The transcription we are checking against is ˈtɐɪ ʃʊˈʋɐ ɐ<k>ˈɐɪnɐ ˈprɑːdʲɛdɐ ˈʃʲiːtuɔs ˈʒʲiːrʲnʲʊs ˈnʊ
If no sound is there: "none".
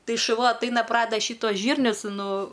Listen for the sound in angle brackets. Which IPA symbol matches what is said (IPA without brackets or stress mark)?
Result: t